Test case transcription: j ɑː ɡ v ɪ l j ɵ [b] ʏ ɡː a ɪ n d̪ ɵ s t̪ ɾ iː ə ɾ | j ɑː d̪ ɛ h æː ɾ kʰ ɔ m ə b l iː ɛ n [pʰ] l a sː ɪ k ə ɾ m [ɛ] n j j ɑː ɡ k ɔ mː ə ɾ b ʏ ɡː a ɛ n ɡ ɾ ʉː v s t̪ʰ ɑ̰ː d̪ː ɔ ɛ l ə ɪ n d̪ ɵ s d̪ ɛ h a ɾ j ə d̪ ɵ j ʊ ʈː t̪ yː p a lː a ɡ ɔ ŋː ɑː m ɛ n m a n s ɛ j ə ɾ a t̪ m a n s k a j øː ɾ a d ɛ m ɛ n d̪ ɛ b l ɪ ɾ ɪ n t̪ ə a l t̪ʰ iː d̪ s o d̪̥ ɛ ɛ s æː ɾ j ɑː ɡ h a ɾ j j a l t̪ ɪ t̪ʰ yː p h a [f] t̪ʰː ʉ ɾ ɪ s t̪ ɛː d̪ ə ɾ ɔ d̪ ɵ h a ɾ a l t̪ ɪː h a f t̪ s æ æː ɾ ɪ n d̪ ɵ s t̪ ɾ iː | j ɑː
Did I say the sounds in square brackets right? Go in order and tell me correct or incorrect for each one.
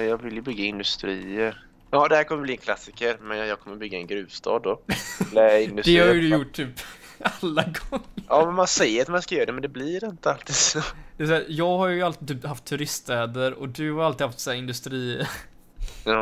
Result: correct, incorrect, correct, correct

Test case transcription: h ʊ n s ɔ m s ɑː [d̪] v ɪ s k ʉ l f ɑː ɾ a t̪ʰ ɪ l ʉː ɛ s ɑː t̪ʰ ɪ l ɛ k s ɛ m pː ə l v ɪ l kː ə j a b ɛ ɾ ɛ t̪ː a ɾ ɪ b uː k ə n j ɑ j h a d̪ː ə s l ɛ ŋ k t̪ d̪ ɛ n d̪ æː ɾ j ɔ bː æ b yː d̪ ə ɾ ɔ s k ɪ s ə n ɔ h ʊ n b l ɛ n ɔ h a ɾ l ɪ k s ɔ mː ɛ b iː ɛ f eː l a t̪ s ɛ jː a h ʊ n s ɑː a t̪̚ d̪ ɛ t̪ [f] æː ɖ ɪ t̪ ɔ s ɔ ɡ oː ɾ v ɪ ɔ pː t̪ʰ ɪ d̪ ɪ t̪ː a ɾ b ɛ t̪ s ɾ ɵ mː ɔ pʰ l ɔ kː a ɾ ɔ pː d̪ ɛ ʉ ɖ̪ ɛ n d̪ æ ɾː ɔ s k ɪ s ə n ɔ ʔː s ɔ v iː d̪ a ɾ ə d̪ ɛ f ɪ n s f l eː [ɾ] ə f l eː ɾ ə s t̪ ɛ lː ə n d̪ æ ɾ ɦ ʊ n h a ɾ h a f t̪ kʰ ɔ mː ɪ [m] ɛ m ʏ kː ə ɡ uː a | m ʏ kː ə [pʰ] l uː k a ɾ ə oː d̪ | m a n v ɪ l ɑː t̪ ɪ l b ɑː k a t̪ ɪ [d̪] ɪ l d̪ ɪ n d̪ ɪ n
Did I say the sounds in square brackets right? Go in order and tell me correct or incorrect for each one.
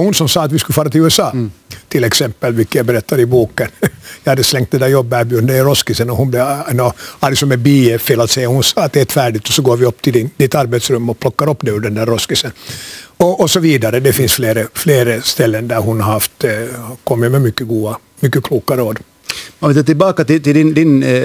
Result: incorrect, correct, correct, correct, incorrect, incorrect

